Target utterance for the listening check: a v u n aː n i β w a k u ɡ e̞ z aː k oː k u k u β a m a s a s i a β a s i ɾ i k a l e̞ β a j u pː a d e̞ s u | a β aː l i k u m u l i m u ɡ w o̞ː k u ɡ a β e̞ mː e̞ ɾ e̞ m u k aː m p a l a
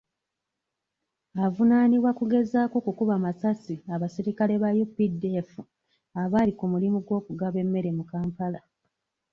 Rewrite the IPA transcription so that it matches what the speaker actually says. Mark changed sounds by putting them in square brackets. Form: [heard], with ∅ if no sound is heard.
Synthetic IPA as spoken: a v u n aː n i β w a k u ɡ e̞ z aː k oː k u k u β a m a s a s i a β a s i ɾ i k a l e̞ β a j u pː [i] d e̞ [f] u | a β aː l i k u m u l i m u ɡ w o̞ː k u ɡ a β e̞ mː e̞ ɾ e̞ m u k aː m p a l a

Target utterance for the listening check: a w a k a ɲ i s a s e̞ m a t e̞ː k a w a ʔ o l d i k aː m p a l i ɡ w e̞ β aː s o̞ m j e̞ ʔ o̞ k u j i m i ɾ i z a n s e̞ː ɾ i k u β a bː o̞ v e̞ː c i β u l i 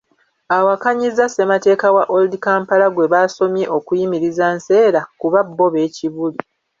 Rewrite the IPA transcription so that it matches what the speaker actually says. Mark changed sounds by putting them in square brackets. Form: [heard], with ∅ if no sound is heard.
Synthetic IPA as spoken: a w a k a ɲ i [z] a s e̞ m a t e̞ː k a w a ʔ o l d i k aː m p a l [a] ɡ w e̞ β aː s o̞ m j e̞ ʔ o̞ k u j i m i ɾ i z a n s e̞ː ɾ [a] k u β a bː o̞ [β] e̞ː c i β u l i

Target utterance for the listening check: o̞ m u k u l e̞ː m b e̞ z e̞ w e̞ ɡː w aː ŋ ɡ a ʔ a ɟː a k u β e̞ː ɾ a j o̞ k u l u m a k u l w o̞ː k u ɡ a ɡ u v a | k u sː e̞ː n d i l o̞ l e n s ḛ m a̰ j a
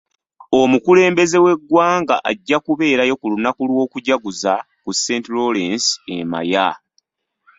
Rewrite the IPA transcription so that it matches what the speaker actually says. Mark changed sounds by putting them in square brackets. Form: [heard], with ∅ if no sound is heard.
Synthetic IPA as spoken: o̞ m u k u l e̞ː m b e̞ z e̞ w e̞ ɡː w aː ŋ ɡ a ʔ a ɟː a k u β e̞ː ɾ a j o̞ k u l u [n] a k u l w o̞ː k u [ɟ] a ɡ u [z] a | k u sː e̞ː n [t] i l o̞ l e n s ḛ m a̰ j a

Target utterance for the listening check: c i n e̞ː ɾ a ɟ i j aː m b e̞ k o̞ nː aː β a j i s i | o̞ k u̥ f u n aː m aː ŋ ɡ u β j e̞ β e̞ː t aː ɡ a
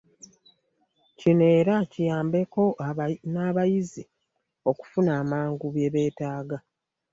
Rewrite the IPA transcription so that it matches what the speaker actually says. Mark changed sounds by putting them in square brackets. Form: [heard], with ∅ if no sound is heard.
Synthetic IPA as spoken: c i n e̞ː ɾ a [c] i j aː m b e̞ k o̞ [n] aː β a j i [z] i | o̞ k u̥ f u n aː m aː ŋ ɡ u β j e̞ β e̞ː t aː ɡ a

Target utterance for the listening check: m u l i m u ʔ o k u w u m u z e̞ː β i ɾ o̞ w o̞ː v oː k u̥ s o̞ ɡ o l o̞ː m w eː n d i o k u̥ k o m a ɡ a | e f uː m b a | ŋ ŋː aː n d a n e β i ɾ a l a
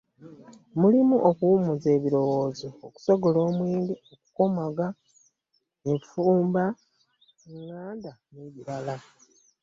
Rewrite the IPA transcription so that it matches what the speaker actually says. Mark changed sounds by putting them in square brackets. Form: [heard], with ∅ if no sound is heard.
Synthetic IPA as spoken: m u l i m u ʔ o k u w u m u z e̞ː β i ɾ o̞ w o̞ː [z] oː k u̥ s o̞ ɡ o l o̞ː m w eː n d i o k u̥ k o m a ɡ a | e f uː m b a | ŋ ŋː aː n d a n e β i ɾ a l a

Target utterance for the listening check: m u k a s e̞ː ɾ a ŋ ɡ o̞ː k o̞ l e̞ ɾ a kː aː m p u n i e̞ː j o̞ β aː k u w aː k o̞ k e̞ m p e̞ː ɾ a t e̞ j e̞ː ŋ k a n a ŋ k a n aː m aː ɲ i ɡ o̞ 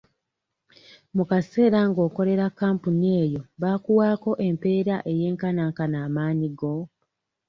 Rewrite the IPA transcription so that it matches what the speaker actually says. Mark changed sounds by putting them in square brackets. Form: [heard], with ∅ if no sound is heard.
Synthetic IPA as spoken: m u k a s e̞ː ɾ a ŋ ɡ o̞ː k o̞ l e̞ ɾ a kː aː m p u n i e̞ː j o̞ β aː k u w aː k o̞ [ʔ] e̞ m p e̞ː ɾ a [ʔ] e̞ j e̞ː ŋ k a n a ŋ k a n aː m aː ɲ i ɡ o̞

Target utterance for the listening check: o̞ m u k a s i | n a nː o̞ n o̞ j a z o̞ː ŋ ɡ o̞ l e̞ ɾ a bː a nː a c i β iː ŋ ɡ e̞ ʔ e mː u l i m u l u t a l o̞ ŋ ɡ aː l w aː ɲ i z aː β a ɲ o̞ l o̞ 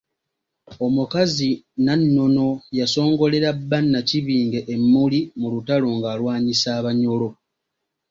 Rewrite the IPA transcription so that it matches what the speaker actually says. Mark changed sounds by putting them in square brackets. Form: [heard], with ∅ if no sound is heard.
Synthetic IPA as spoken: o̞ m u k a [z] i | n a nː o̞ n o̞ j a [s] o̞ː ŋ ɡ o̞ l e̞ ɾ a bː a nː a c i β iː ŋ ɡ e̞ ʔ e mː u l i m u l u t a l o̞ ŋ ɡ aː l w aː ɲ i [s] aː β a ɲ o̞ l o̞

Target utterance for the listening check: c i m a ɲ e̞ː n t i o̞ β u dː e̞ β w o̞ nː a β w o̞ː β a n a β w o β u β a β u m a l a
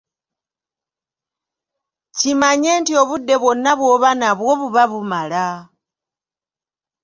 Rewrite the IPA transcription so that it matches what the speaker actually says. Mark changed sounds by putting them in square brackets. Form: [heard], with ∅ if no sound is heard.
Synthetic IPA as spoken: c i m a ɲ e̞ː n t i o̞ β u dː e̞ β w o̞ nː a β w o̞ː β a n a β w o β u β a β u m a l a

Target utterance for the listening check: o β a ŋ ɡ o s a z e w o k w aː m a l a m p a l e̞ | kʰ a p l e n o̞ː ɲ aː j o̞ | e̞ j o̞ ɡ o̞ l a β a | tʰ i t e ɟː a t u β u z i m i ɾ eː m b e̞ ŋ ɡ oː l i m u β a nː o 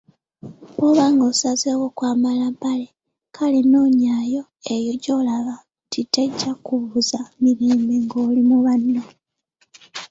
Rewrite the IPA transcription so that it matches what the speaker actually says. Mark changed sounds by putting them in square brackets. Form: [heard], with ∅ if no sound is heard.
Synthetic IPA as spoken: o β a ŋ ɡ o s a z e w o k w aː m a l a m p a l e̞ | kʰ a [∅] l e n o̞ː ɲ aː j o̞ | e̞ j o̞ [ɟ] o̞ l a β a | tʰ i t e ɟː a [k] u β u z [a] m i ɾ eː m b e̞ ŋ ɡ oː l i m u β a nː o

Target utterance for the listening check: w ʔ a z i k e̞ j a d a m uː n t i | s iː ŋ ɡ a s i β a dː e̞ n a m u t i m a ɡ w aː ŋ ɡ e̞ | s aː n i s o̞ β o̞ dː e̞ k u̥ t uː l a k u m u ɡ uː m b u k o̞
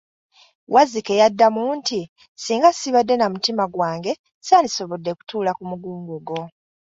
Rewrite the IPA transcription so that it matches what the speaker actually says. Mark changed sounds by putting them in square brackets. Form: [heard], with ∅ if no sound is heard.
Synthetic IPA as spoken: w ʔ a z i k e̞ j a [dː] a m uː n t i | s iː ŋ ɡ a s i β a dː e̞ n a m u t i m a ɡ w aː ŋ ɡ e̞ | s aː n i s o̞ β o̞ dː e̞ k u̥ t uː l a k u m u ɡ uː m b u [ɡ] o̞

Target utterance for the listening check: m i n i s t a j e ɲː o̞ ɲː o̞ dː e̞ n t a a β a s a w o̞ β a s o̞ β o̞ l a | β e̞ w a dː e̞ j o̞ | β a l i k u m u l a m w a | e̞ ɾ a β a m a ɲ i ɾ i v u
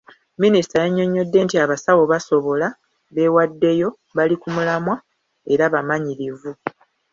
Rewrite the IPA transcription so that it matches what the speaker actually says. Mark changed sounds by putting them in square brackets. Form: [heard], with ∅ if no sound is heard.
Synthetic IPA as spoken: m i n i s t a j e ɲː o̞ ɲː o̞ dː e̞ n t [i] a β a s a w o̞ β a s o̞ β o̞ l a | β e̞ w a dː e̞ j o̞ | β a l i k u m u l a m w a | e̞ ɾ a β a m a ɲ i ɾ i v u

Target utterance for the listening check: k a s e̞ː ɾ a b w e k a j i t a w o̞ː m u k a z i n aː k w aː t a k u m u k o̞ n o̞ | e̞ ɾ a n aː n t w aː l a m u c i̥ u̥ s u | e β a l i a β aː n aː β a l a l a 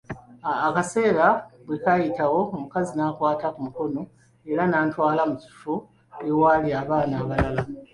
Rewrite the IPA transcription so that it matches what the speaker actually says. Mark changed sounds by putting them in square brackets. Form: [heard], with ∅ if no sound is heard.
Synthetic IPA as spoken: k a s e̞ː ɾ a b w e k a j i t a w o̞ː m u k a z i n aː k w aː t a k u m u k o̞ n o̞ | e̞ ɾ a n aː n t w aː l a m u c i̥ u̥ [f] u | e [w] a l i a β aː n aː β a l a l a

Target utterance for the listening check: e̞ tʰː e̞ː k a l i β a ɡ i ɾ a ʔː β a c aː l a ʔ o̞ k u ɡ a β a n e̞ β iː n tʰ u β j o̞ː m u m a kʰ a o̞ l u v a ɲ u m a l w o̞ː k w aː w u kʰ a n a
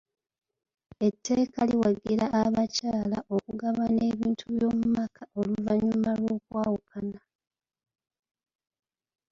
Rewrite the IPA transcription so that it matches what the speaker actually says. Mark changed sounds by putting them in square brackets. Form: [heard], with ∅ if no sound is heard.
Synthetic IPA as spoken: e̞ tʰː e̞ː k a l i [w] a ɡ i ɾ a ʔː β a c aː l a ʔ o̞ k u ɡ a β a n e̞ β iː n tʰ u β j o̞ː m u m a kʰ a o̞ l u v a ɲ u m a l w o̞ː k w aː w u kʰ a n a

